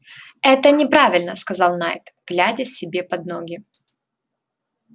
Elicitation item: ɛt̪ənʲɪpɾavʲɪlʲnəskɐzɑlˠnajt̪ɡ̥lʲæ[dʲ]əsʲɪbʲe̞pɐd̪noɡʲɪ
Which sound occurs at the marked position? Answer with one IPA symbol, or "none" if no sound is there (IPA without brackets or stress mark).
dʲ